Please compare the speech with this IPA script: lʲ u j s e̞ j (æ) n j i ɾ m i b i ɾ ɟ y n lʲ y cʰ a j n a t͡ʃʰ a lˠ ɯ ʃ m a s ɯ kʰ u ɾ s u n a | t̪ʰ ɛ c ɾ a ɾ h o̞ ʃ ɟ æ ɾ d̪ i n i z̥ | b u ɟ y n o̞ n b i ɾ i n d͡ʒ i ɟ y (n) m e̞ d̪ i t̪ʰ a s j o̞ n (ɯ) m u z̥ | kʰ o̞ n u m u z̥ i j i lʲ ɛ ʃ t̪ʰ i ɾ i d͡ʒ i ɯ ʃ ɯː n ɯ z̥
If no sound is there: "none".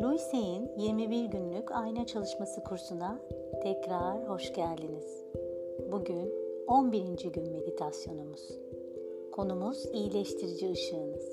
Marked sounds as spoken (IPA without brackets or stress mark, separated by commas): i, n, u